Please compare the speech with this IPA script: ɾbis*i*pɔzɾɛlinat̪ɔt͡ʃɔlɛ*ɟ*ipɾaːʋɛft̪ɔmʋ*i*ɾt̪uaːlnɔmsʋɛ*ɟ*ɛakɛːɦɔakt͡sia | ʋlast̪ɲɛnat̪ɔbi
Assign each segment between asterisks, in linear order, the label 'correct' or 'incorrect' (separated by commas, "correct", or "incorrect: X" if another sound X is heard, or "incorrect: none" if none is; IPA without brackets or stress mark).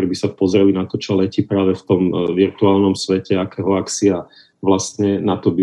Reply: incorrect: a, incorrect: c, correct, incorrect: c